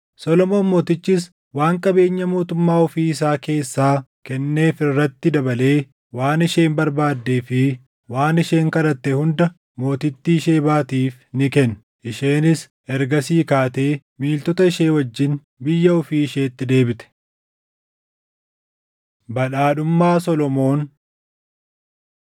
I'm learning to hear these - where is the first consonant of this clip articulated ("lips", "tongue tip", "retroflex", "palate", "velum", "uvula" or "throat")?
tongue tip